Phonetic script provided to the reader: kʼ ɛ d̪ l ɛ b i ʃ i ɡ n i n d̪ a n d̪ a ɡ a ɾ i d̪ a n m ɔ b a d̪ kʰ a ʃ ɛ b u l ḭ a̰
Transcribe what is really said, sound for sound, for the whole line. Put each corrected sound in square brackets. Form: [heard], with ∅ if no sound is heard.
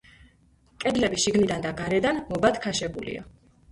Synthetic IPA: kʼ ɛ d̪ l ɛ b i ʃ i ɡ n i [∅] d̪ a n d̪ a ɡ a ɾ [ɛ] d̪ a n m ɔ b a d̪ kʰ a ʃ ɛ b u l ḭ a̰